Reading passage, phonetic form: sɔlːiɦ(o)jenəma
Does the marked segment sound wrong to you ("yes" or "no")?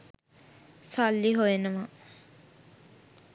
no